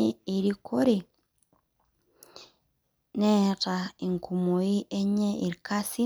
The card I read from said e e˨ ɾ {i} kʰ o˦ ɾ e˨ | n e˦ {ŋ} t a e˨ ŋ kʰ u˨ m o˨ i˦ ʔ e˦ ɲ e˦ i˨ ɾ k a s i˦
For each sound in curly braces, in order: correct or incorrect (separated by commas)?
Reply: correct, incorrect